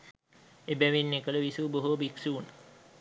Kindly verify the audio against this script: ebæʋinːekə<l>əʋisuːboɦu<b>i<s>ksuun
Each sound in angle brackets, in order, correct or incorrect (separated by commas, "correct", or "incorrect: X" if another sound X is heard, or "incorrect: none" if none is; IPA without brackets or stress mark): correct, correct, incorrect: none